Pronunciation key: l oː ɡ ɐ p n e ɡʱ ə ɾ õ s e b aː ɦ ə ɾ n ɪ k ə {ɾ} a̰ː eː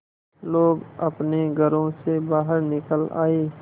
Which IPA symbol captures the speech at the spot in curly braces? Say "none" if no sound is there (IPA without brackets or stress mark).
l